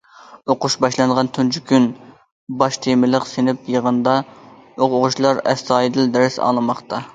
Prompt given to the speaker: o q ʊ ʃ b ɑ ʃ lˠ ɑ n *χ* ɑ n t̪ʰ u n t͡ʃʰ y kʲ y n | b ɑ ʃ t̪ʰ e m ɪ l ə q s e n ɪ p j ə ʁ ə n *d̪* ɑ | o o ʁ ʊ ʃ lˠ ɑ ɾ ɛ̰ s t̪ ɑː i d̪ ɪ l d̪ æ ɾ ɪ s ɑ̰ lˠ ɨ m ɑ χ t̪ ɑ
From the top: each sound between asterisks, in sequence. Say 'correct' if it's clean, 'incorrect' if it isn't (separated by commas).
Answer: incorrect, correct